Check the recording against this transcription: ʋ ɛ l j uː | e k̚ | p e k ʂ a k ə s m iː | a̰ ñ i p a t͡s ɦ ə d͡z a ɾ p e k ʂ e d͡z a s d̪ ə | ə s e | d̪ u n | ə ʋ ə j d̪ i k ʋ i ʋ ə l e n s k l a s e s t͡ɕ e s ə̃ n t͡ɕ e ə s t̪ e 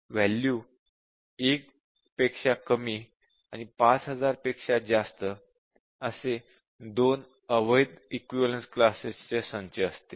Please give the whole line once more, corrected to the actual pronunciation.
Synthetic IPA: ʋ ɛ l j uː | e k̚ | p e k ʂ a k ə m iː | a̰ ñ i p a t͡s ɦ ə d͡z a ɾ p e k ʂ a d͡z a s t̪ ə | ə s e | d̪ o n | ə ʋ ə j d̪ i k ʋ i ʋ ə l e n s k l a s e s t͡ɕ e s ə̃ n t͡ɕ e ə s t̪ e